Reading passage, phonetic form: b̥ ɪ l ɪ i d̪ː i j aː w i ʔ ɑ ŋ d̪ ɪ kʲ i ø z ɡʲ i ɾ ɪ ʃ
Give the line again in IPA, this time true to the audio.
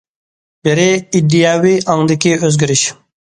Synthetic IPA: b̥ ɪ ɾ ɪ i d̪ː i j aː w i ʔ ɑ ŋ d̪ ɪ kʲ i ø z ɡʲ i ɾ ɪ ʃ